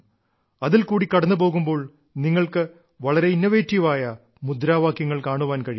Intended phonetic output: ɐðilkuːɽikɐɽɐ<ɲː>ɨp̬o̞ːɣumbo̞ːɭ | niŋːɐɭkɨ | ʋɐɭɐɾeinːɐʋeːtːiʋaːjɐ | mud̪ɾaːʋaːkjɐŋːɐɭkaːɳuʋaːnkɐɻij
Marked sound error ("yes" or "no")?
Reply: yes